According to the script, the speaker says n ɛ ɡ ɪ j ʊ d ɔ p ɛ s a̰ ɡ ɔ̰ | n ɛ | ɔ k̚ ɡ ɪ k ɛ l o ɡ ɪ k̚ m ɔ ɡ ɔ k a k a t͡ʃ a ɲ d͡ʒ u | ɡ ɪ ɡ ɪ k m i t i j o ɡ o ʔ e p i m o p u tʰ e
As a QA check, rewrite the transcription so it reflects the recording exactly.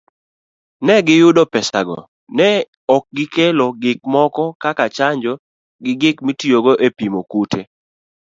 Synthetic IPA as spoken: n ɛ ɡ ɪ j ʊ d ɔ p ɛ s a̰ ɡ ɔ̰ | n ɛ | ɔ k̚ ɡ ɪ k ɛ l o ɡ ɪ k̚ m ɔ k ɔ k a k a t͡ʃ a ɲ d͡ʒ ɔ | ɡ ɪ ɡ ɪ k m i t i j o ɡ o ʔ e p i m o k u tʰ e